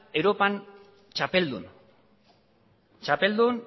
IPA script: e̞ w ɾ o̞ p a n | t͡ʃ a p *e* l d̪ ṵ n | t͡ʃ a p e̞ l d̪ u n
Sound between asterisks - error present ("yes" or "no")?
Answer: no